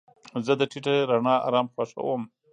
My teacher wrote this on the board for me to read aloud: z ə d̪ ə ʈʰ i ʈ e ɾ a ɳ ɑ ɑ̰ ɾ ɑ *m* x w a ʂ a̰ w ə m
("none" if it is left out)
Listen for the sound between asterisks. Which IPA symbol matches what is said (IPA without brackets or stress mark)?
m